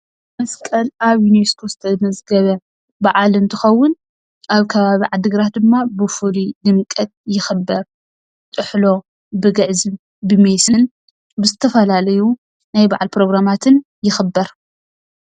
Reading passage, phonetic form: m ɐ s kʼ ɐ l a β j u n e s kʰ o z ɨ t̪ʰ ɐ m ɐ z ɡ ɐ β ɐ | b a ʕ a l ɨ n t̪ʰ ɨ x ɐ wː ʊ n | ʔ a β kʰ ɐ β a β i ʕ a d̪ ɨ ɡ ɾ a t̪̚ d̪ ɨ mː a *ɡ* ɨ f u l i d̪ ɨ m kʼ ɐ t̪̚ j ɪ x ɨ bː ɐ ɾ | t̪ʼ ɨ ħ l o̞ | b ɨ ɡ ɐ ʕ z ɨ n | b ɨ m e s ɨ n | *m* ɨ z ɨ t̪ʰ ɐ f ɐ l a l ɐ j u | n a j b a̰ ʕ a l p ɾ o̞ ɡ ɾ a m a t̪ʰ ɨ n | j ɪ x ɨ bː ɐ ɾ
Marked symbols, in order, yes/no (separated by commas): no, no